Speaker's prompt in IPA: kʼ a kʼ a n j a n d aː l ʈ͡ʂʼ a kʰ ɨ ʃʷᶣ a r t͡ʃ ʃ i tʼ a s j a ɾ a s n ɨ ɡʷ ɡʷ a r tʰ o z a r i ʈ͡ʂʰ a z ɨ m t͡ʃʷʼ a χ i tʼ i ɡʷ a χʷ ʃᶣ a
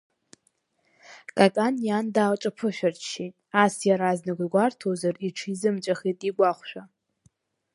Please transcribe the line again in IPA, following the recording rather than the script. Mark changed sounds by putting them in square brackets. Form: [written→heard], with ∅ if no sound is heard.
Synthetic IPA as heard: kʼ a kʼ a n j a n d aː l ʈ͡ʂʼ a [kʰ→pʰ] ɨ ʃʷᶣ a r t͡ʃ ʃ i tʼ a s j a ɾ a [s→z] n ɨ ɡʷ ɡʷ a r tʰ o z a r i ʈ͡ʂʰ [a→i] z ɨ m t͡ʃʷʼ a χ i tʼ i ɡʷ a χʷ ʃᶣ a